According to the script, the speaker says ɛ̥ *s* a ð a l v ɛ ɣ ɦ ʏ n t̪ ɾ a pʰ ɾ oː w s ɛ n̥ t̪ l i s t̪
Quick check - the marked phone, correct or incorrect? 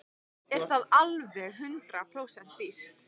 incorrect